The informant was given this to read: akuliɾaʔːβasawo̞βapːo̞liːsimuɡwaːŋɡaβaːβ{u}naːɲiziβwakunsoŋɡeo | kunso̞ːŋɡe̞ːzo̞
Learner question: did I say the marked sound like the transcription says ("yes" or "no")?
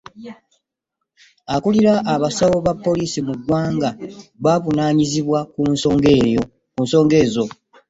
yes